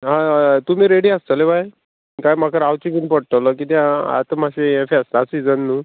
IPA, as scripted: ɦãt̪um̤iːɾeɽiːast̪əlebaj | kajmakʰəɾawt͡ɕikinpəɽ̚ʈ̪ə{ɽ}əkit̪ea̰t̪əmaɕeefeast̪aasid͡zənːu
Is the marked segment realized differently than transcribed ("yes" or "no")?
yes